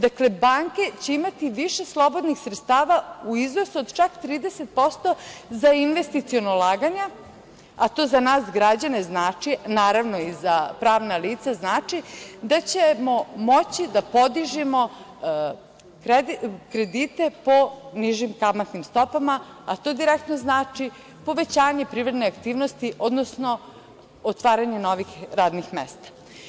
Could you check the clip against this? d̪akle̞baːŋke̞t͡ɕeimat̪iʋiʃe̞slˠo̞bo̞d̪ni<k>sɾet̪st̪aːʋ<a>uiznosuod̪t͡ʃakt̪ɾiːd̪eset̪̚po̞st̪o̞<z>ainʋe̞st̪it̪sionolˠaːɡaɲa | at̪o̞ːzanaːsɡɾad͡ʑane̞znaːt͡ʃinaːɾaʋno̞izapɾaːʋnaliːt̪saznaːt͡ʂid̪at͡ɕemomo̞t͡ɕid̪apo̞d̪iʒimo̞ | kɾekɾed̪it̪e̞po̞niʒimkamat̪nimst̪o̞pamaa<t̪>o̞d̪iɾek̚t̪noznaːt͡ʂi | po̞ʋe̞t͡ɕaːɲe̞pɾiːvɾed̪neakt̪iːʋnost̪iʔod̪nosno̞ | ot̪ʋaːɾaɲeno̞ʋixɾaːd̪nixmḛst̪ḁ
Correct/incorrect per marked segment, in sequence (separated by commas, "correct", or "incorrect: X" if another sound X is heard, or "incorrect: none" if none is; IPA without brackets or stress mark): incorrect: x, correct, correct, correct